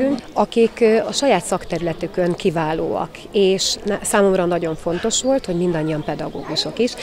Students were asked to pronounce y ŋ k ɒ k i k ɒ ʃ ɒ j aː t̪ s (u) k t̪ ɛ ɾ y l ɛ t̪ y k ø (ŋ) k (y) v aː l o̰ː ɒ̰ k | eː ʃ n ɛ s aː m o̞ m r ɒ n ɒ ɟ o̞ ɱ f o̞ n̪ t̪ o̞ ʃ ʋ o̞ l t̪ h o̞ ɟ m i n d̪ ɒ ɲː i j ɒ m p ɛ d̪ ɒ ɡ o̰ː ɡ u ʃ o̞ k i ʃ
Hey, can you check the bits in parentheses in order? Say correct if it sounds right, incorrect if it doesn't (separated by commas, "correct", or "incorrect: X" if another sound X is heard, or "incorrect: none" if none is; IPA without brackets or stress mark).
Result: incorrect: ɒ, correct, incorrect: i